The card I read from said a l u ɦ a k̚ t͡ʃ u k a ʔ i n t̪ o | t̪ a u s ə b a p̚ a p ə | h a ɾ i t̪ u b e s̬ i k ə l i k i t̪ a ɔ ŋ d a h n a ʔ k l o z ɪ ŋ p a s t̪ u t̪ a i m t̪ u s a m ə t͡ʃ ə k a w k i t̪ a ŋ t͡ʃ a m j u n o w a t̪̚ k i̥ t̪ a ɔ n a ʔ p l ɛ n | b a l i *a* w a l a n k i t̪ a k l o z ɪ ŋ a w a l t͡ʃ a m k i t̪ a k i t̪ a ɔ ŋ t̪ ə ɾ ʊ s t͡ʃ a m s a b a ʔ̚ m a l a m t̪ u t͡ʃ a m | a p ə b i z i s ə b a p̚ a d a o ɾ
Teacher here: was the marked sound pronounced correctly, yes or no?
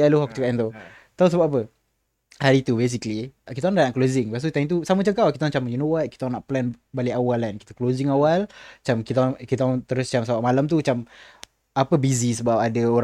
yes